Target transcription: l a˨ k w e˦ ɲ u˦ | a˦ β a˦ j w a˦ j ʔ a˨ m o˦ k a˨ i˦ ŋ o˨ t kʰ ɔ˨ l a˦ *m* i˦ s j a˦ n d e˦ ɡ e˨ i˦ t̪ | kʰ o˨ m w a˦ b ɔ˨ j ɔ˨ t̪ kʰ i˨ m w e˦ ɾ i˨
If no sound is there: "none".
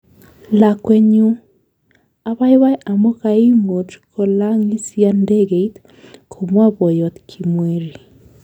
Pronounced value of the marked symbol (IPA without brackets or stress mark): ŋ